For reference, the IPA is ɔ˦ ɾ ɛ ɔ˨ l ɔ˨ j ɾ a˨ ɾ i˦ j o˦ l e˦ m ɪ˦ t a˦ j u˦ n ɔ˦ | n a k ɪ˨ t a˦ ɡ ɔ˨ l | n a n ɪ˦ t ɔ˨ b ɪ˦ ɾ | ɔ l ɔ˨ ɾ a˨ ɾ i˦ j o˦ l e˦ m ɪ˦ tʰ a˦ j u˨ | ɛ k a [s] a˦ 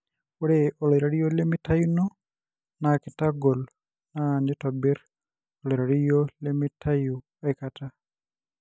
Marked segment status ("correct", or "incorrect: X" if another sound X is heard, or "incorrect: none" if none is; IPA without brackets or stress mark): incorrect: t